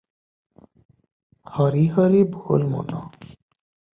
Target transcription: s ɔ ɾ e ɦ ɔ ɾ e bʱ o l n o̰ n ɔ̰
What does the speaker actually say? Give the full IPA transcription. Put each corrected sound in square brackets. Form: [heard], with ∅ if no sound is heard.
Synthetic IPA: [h] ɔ ɾ [i] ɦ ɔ ɾ [i] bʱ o l [m] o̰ n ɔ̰